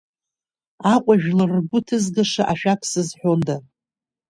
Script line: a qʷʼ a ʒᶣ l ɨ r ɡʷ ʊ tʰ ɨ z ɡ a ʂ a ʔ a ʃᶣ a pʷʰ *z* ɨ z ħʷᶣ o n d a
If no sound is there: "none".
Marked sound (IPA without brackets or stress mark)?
s